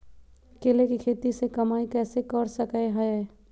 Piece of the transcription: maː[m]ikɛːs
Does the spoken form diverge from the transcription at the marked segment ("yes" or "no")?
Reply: yes